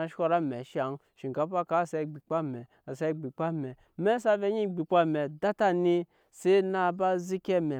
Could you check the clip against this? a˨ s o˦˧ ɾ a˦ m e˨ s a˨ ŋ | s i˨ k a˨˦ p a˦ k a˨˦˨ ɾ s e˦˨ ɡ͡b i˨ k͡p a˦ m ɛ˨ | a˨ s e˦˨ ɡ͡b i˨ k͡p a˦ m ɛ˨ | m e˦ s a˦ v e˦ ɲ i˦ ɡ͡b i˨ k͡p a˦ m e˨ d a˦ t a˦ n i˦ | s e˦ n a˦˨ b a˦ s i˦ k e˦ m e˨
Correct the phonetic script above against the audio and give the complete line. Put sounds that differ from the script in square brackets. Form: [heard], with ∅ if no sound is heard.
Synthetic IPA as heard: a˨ [ʃ] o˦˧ ɾ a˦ m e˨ [ʃ] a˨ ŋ | [ʃ] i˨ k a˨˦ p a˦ k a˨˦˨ [∅] s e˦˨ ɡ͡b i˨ k͡p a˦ m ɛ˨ | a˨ s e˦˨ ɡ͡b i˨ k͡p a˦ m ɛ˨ | m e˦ s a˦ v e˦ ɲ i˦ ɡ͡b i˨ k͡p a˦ m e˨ d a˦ t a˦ n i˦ | s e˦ n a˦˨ b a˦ [z] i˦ k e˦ m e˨